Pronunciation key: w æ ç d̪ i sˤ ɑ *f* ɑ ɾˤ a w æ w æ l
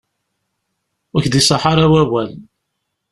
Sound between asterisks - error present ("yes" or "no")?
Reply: yes